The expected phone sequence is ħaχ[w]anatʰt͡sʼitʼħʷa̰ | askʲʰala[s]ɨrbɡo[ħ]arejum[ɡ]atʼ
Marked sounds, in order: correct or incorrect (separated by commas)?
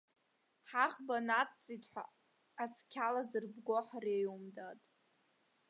incorrect, incorrect, correct, incorrect